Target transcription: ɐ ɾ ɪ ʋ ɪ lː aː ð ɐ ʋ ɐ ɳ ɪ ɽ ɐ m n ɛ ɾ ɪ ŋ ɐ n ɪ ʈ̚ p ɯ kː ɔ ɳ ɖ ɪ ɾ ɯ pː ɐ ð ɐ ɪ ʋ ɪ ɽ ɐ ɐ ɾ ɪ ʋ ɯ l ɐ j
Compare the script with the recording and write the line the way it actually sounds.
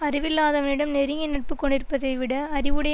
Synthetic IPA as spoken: ɐ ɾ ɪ ʋ ɪ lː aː ð ɐ ʋ ɐ n ɪ ɽ ɐ m n ɛ ɾ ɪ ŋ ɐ n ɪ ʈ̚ p ɯ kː ɔ ɳ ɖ ɪ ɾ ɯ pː ɐ ð ɐ ɪ ʋ ɪ ɽ ɐ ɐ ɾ ɪ ʋ ɯ ɽ ɐ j